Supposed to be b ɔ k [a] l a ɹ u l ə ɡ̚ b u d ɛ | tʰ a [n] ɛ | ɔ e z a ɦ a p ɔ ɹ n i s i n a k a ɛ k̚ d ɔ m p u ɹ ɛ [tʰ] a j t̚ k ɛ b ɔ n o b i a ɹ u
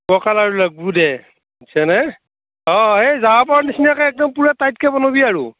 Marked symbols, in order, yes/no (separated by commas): yes, yes, no